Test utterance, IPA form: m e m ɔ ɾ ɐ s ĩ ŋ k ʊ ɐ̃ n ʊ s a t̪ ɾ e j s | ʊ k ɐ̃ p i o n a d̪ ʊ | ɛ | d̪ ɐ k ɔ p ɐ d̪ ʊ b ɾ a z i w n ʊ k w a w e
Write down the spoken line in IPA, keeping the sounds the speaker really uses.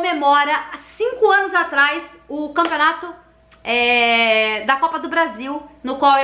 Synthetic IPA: m e m ɔ ɾ ɐ s ĩ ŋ k ʊ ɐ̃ n ʊ z a t̪ ɾ a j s | ʊ k ɐ̃ p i o n a t̪ ʊ | ɛ | d̪ ɐ k ɔ p ɐ d̪ ʊ b ɾ a z i w n ʊ k w a w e